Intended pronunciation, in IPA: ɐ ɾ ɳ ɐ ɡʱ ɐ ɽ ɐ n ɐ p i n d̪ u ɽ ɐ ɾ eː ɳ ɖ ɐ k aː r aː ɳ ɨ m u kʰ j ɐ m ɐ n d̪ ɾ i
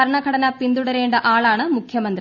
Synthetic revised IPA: ɐ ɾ ɳ ɐ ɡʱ ɐ ɽ ɐ n ɐ p i n d̪ u ɽ ɐ ɾ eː ɳ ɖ ɐ ʔ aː ɭ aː ɳ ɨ m u kʰ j ɐ m ɐ n d̪ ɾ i